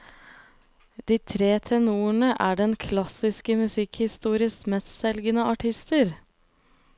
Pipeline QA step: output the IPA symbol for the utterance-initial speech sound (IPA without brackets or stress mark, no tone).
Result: d̪